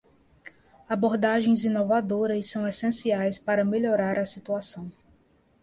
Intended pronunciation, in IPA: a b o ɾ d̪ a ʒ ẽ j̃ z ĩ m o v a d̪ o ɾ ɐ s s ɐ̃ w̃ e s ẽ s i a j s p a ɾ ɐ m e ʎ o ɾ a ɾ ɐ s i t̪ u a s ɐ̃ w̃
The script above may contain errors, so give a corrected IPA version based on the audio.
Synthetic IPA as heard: a b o ɾ d̪ a ʒ ẽ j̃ z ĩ n o v a d̪ o ɾ ɐ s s ɐ̃ w̃ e s ẽ s i a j s p a ɾ ɐ m e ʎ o ɾ a ɾ ɐ s i t̪ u a s ɐ̃ w̃